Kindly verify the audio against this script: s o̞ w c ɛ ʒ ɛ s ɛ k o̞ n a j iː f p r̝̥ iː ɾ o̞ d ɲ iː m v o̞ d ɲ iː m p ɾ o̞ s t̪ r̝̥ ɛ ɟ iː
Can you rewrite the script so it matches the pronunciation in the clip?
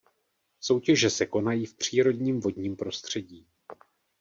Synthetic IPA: s o̞ w c ɛ ʒ ɛ s ɛ k o̞ n a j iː f p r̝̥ iː ɾ o̞ d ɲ iː m v o̞ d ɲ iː m p ɾ o̞ s t̪ r̝̥ ɛ ɟ iː